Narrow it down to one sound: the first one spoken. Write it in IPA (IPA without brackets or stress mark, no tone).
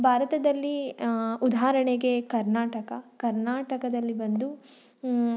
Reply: bʱ